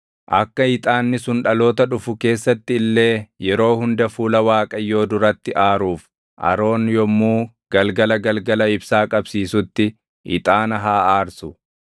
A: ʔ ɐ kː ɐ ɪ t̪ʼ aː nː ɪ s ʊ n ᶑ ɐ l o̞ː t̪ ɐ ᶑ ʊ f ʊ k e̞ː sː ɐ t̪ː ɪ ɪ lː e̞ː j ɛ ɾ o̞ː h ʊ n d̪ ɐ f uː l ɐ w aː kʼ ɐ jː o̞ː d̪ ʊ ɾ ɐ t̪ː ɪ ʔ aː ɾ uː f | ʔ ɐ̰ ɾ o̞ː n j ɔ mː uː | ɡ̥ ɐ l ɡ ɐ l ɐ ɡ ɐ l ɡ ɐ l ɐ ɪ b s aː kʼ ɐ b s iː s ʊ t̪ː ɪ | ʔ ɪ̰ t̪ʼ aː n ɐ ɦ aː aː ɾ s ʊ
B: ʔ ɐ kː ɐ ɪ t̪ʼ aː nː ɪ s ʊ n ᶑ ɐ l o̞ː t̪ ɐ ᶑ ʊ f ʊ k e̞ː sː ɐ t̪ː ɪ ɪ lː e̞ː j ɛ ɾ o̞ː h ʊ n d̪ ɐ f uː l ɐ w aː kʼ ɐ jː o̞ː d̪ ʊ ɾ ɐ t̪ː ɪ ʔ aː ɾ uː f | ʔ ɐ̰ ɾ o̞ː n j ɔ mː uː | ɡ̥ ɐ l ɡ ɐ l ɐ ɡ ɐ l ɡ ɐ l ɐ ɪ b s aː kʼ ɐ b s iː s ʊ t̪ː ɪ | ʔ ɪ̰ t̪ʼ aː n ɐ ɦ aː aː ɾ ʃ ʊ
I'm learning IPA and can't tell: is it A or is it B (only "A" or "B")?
A